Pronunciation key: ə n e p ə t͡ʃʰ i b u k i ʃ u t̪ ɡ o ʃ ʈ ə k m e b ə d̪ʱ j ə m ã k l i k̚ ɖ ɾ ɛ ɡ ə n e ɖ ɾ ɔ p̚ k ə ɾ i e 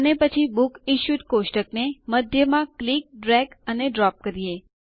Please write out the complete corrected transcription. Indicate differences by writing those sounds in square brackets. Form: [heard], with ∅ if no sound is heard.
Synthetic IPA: ə n e p ə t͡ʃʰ i b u k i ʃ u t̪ [k] o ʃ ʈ ə k [n] e [m] ə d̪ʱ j ə m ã k l i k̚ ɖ ɾ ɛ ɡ ə n e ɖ ɾ ɔ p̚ k ə ɾ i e